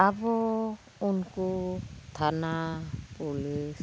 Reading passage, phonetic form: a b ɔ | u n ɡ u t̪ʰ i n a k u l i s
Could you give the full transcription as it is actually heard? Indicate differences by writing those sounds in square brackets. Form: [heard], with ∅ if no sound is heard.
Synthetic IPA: a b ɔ | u n [k] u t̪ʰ [a] n a [p] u l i s